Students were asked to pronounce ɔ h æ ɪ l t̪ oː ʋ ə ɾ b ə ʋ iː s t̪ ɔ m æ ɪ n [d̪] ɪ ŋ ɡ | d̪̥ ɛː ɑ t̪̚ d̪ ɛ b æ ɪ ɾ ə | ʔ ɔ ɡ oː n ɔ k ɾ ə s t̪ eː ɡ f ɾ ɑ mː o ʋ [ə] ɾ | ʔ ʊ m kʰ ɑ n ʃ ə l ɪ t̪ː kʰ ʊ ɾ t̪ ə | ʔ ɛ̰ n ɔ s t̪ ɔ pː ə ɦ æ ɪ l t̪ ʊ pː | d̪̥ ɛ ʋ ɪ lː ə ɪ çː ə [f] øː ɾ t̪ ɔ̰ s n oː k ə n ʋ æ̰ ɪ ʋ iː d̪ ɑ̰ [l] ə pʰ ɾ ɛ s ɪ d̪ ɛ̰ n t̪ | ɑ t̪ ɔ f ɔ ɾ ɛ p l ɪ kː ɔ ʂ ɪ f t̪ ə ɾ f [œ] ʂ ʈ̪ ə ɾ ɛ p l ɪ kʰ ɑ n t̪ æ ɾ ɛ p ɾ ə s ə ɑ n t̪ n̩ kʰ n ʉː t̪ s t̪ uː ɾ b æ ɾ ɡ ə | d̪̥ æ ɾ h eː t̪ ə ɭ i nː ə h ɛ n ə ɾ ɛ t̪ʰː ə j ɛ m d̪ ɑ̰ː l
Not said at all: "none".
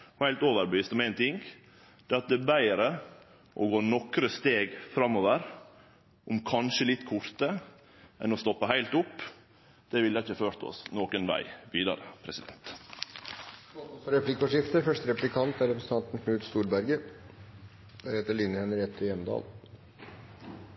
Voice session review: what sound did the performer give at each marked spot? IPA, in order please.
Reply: t̪, ə, f, ɾ, œ

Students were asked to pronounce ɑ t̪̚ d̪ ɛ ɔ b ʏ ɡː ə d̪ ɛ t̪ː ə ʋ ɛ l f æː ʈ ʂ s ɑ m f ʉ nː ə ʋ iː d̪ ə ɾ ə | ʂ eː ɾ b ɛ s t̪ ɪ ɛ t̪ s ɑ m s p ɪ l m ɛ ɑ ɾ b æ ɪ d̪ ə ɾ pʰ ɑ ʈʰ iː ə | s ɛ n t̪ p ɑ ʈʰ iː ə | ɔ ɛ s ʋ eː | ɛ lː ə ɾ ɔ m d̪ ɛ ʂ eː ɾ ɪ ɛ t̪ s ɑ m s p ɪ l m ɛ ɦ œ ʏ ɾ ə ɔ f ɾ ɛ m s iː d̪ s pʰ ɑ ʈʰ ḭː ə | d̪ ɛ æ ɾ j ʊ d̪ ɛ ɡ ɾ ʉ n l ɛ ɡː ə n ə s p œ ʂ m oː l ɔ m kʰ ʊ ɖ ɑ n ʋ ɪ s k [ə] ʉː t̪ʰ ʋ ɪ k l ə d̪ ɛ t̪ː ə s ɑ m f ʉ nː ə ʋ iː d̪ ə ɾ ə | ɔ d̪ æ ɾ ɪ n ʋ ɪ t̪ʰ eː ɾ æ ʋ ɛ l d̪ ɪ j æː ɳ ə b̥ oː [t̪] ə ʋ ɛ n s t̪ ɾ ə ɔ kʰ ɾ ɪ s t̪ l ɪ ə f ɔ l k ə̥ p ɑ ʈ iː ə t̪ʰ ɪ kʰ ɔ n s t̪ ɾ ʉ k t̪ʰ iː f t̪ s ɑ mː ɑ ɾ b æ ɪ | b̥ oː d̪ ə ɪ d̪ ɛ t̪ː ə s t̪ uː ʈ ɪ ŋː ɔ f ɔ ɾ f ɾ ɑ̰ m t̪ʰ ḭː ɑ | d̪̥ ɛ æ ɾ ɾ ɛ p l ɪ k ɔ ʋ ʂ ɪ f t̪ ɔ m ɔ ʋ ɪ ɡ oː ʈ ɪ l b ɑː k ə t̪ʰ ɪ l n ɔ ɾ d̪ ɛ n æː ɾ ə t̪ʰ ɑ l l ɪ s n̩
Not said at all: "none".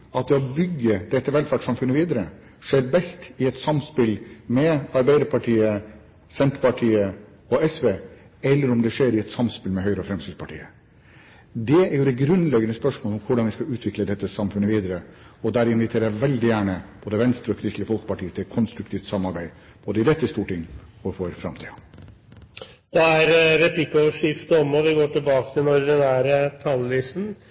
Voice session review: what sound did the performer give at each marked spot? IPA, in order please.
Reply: ɑ, d̪

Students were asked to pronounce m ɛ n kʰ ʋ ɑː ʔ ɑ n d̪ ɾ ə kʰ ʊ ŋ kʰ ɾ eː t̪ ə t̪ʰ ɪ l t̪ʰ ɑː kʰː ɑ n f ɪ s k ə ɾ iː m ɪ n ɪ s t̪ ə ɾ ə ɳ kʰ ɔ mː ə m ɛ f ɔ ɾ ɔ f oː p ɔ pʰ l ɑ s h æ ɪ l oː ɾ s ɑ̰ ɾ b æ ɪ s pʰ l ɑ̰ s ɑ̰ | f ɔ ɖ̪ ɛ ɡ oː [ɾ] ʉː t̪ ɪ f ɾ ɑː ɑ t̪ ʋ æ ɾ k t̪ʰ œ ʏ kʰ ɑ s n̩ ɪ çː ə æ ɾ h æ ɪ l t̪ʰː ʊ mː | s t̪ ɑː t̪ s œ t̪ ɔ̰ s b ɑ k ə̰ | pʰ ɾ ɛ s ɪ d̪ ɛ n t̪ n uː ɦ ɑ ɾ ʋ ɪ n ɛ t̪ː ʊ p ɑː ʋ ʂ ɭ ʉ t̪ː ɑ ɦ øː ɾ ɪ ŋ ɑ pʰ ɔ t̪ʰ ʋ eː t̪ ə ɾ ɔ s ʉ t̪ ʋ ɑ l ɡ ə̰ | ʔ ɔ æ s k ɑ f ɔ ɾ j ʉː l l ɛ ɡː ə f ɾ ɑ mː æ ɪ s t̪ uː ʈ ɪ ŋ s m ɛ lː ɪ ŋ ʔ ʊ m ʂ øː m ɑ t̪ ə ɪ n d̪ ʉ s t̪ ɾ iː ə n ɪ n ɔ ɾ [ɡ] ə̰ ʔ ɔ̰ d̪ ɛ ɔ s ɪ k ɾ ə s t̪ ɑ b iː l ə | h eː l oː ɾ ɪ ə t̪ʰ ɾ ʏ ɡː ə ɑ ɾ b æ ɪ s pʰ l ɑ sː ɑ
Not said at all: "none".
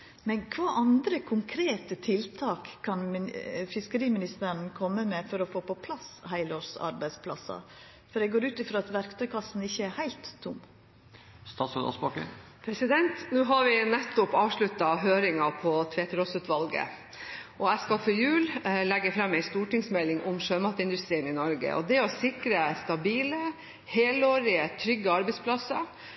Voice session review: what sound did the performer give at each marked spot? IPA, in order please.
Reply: ɾ, ɡ

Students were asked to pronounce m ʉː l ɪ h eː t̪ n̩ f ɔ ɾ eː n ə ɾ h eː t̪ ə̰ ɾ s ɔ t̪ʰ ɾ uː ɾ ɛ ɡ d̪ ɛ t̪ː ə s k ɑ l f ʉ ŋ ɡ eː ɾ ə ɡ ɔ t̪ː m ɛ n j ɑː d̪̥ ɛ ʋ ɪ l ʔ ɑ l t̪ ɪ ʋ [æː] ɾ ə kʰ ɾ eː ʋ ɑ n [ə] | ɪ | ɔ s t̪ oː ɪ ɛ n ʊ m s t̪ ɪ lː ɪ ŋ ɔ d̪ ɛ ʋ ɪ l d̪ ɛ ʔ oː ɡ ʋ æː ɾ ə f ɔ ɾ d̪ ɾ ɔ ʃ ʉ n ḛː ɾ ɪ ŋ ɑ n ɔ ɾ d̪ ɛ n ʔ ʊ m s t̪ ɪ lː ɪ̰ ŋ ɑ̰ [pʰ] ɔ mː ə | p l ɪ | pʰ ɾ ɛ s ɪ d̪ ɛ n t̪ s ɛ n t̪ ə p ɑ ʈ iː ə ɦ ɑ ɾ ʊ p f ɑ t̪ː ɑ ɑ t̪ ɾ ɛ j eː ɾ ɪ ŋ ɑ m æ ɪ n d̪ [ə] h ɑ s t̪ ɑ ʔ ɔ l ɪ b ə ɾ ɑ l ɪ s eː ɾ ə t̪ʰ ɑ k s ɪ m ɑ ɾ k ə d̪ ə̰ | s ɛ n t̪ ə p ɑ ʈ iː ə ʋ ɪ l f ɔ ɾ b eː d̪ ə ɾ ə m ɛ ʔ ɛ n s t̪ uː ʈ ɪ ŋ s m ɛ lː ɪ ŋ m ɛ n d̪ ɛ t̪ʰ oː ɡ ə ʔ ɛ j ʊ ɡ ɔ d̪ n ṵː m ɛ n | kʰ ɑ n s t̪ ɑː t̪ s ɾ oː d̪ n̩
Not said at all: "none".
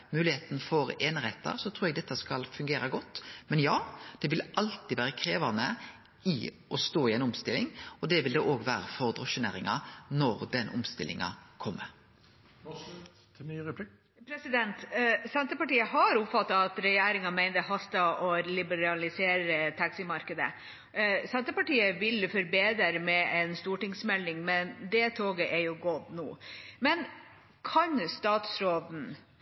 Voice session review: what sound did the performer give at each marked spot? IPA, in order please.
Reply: æː, ə, kʰ, ə

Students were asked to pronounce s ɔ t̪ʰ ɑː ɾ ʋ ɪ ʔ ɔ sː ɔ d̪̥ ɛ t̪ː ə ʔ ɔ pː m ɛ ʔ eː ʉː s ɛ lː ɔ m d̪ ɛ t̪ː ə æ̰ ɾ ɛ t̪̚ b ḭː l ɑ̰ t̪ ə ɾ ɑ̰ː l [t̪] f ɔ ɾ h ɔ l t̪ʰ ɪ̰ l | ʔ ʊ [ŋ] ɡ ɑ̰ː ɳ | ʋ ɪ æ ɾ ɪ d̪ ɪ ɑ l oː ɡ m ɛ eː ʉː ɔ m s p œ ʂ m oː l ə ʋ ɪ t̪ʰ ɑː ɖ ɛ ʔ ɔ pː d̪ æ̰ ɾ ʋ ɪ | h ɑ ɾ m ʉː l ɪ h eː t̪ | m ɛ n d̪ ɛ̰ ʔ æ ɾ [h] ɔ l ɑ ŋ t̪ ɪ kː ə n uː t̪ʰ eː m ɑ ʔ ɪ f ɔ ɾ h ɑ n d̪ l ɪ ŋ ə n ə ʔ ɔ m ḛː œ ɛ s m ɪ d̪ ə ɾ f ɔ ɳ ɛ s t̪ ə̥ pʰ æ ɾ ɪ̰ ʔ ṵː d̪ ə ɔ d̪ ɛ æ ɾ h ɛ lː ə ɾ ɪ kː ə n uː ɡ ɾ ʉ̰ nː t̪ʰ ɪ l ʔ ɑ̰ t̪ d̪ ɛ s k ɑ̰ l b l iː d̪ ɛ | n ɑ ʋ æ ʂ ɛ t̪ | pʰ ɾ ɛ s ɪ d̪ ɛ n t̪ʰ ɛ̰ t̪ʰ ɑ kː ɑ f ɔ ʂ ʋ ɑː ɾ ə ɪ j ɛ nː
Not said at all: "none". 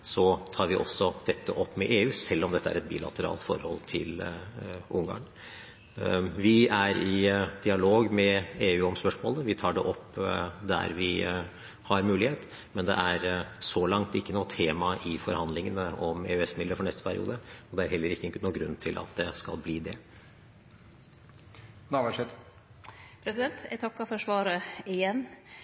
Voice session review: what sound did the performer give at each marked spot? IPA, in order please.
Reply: t̪, ŋ, s

